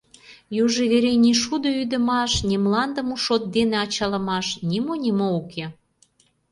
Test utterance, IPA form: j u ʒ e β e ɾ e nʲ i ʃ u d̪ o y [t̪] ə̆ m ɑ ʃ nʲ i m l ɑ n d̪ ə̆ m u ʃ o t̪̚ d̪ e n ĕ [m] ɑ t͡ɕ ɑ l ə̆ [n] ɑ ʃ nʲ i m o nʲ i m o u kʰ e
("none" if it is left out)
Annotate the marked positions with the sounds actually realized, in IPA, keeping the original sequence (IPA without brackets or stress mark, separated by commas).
d̪, none, m